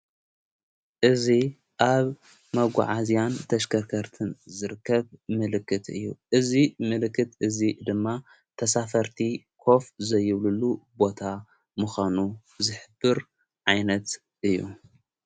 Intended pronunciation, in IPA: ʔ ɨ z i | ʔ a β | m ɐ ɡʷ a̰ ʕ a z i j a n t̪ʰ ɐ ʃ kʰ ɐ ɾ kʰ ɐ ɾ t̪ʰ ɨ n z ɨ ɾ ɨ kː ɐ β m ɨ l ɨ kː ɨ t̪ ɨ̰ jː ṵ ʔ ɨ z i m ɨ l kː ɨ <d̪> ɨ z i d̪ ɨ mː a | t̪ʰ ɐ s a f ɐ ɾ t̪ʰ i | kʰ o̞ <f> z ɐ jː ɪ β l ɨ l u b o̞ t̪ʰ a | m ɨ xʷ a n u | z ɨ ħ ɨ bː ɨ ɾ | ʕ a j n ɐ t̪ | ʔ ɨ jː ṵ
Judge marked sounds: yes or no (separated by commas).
no, yes